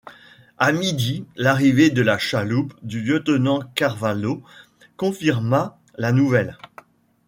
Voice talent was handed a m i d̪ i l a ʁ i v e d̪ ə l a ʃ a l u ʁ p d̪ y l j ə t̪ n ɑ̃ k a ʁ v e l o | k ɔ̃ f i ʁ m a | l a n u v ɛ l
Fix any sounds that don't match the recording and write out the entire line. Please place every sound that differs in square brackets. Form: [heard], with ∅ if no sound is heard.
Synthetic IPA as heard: a m i d̪ i l a ʁ i v e d̪ ə l a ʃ a l u [∅] p d̪ y l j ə t̪ n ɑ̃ k a ʁ v [a] l o | k ɔ̃ f i ʁ m a | l a n u v ɛ l